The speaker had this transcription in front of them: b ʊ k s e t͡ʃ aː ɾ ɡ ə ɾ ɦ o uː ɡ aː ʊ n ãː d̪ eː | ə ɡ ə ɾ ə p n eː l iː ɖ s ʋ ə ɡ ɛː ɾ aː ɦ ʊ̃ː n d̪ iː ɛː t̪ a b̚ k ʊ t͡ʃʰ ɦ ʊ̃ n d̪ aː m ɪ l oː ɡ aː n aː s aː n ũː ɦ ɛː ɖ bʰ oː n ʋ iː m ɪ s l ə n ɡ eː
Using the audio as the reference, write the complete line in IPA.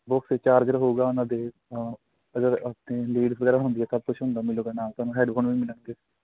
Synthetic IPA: b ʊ k s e t͡ʃ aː ɾ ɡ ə ɾ ɦ o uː ɡ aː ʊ n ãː d̪ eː | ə ɡ ə ɾ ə p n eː l iː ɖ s ʋ ə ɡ ɛː ɾ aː ɦ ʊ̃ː n d̪ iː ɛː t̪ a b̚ k ʊ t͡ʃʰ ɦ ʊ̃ n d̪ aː m ɪ l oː ɡ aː n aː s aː n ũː ɦ ɛː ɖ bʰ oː n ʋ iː m ɪ l ə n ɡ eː